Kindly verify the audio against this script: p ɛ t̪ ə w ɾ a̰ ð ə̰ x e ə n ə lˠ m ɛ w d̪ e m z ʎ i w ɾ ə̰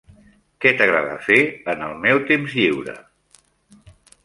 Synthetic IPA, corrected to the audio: k ɛ t̪ ə ɣ ɾ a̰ ð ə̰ f e ə n ə lˠ m ɛ w t̪ e m z ʎ i w ɾ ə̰